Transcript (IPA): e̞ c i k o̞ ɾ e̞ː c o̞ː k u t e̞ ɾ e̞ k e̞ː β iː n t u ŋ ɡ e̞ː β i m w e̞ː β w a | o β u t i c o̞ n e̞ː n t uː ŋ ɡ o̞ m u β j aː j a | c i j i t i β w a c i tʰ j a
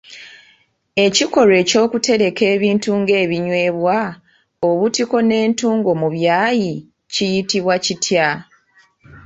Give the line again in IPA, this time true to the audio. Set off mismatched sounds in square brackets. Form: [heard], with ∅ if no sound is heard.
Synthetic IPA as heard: e̞ c i k o̞ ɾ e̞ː c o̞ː k u t e̞ ɾ e̞ k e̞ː β iː n t u ŋ ɡ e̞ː β i [ɲ] w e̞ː β w a | o β u t i [k] o̞ n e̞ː n t uː ŋ ɡ o̞ m u β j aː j [i] | c i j i t i β w a c i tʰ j a